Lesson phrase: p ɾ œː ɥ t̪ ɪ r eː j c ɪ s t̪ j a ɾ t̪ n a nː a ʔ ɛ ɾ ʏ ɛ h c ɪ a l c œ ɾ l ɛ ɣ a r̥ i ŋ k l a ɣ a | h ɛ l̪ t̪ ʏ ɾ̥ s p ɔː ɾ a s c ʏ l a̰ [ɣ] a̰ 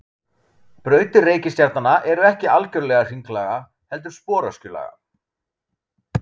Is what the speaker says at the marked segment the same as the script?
yes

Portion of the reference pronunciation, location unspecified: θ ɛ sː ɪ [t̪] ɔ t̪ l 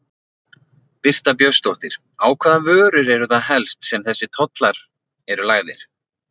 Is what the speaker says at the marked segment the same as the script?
no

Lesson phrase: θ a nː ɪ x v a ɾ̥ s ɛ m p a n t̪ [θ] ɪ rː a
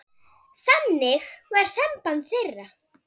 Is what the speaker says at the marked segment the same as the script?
yes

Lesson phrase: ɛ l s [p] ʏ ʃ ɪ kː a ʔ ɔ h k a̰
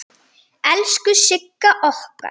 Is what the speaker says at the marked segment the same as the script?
no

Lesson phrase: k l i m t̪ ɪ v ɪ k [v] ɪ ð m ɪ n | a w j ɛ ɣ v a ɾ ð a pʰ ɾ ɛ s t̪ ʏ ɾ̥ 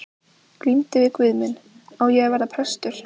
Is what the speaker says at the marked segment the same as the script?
yes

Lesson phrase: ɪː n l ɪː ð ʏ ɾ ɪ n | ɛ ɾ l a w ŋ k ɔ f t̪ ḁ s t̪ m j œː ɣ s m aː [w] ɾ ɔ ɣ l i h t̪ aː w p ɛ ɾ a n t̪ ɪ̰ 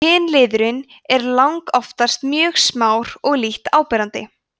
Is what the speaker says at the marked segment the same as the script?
yes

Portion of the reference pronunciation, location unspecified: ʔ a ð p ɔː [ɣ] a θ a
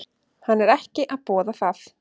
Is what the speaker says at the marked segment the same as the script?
no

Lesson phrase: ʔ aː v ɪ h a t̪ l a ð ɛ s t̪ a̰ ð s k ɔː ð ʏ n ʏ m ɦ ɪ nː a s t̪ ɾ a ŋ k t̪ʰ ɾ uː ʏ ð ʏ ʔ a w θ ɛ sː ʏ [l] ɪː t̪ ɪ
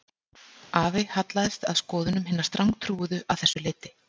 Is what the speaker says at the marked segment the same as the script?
yes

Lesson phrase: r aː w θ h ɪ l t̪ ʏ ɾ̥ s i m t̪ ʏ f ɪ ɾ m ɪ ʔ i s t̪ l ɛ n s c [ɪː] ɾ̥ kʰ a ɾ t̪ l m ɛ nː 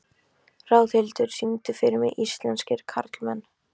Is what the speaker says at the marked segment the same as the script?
no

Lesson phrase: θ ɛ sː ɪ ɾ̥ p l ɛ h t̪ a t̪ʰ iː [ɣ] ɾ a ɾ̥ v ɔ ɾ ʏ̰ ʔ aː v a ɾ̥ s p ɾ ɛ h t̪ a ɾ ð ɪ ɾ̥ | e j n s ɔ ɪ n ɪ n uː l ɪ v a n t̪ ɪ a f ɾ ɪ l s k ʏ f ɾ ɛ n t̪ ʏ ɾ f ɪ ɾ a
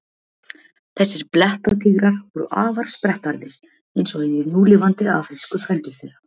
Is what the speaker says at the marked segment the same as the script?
yes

